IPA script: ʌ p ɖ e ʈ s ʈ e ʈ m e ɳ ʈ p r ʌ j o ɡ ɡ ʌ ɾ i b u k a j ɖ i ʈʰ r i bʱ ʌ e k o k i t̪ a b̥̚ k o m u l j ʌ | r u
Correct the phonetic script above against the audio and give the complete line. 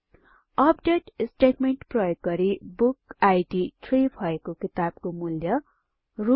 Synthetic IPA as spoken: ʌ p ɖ e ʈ s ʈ e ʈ m e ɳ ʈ p r ʌ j o ɡ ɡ ʌ ɾ i b u k a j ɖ i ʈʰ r i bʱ ʌ e k o k i t̪ a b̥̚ k o m u l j ʌ | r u